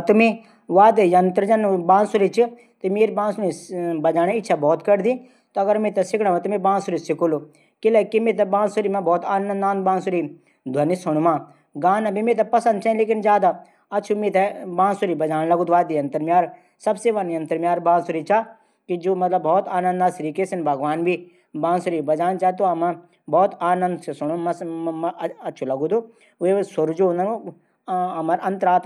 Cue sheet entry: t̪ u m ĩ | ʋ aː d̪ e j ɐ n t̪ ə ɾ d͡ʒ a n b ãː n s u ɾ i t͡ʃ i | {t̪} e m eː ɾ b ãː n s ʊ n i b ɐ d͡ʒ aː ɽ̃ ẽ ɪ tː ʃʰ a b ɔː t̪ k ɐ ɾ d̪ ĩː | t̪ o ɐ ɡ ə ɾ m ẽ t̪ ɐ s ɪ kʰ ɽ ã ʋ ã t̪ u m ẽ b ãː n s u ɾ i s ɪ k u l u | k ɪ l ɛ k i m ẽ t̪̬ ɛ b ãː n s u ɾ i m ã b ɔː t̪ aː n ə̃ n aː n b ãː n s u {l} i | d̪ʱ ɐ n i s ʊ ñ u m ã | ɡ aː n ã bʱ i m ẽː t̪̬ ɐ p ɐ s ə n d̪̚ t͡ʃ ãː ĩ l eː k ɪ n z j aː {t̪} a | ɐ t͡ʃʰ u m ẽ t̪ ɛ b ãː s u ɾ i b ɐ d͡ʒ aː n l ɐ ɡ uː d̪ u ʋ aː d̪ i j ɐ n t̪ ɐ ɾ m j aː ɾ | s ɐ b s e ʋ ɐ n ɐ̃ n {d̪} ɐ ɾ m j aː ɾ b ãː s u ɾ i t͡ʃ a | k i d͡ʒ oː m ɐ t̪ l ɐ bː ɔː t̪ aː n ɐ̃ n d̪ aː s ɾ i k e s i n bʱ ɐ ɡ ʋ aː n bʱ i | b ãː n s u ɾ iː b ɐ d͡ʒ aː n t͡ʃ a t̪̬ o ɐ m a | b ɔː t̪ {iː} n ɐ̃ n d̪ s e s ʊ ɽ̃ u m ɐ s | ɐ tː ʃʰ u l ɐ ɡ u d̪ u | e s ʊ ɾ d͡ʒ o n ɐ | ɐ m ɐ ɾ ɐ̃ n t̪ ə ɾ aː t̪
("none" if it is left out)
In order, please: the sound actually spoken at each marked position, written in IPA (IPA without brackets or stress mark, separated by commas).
t̪, ɾ, d̪, t̪, aː